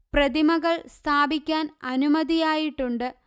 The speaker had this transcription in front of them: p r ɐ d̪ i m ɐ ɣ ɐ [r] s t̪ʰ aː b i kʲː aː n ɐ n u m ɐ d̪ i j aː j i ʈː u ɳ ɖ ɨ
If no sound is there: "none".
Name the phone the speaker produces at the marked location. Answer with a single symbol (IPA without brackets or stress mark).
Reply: ɭ